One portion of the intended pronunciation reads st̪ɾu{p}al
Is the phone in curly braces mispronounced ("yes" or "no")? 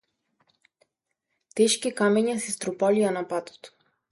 no